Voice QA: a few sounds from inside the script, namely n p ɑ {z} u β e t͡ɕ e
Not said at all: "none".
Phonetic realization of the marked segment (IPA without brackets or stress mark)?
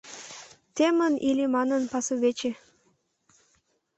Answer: s